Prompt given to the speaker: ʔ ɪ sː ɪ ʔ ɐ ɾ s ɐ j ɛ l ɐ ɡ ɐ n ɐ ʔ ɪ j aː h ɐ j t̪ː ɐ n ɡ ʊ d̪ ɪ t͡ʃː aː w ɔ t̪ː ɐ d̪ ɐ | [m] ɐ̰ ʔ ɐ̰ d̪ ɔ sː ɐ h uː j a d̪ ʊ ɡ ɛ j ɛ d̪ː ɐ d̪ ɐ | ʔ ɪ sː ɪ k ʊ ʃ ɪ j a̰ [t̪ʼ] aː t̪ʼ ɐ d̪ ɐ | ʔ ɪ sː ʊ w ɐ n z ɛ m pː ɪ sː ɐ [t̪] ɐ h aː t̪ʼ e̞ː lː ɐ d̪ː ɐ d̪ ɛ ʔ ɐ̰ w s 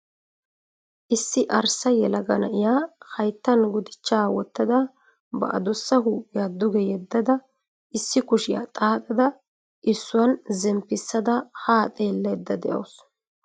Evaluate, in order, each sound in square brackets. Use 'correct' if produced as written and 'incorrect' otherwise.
incorrect, correct, incorrect

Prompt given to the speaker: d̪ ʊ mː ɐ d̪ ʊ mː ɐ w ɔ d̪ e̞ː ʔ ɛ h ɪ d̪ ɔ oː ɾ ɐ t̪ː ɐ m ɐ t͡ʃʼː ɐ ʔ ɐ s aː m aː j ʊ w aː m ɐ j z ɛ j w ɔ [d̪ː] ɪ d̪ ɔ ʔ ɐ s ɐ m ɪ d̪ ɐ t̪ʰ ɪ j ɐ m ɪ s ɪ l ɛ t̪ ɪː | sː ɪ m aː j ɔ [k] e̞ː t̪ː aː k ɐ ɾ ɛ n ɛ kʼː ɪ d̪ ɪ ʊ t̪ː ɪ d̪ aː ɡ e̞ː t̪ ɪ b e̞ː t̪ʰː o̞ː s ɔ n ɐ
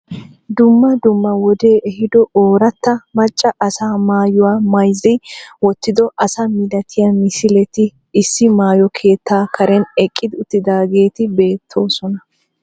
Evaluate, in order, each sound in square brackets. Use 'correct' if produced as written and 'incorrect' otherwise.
incorrect, incorrect

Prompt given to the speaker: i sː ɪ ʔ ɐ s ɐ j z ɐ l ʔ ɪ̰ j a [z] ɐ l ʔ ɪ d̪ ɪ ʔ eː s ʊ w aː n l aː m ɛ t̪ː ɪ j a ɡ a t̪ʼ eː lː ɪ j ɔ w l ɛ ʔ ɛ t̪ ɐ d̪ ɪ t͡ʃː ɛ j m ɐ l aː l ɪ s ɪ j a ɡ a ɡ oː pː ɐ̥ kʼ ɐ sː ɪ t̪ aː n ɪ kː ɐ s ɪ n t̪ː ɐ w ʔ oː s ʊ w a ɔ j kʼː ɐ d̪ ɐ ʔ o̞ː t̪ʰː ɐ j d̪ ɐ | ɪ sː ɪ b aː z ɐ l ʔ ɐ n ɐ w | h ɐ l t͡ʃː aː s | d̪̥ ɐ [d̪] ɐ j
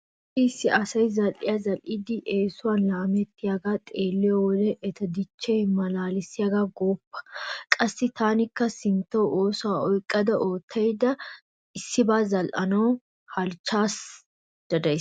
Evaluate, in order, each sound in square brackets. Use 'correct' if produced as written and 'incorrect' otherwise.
correct, correct

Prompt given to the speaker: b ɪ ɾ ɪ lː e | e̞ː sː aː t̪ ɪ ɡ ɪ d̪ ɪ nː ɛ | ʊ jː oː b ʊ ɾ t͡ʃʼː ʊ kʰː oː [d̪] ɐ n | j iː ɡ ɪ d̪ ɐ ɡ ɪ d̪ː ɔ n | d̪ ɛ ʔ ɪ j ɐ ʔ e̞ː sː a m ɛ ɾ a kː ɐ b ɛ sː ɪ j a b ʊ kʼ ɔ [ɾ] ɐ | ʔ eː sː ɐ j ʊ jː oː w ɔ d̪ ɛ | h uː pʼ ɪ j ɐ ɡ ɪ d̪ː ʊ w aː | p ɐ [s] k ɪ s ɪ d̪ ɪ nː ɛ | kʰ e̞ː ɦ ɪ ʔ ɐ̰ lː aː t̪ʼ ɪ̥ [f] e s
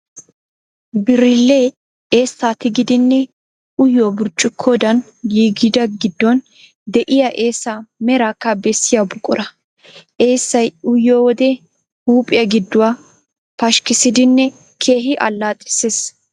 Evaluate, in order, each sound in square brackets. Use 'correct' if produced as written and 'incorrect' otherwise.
correct, correct, incorrect, incorrect

